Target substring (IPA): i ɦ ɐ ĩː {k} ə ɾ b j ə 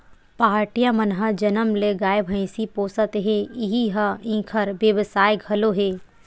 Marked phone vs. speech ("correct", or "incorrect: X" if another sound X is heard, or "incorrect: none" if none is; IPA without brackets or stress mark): incorrect: kʰ